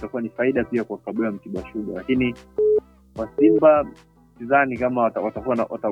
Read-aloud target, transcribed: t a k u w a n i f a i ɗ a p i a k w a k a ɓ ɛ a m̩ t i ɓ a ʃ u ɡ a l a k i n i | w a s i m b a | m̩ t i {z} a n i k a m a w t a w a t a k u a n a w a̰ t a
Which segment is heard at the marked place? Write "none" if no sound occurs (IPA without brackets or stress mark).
z